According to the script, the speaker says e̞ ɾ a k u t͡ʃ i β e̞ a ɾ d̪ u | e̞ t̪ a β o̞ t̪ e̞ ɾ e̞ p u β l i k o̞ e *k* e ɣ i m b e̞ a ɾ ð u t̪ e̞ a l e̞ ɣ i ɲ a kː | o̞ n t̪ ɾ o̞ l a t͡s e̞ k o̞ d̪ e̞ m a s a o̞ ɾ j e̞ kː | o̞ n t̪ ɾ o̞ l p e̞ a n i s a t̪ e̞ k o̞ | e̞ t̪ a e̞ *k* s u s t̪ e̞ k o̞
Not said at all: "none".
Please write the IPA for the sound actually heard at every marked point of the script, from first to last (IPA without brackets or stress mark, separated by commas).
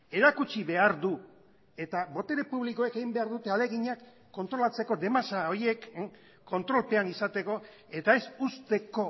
k, none